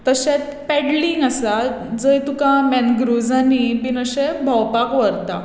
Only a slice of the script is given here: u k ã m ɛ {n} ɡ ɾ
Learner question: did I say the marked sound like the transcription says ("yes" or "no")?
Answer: yes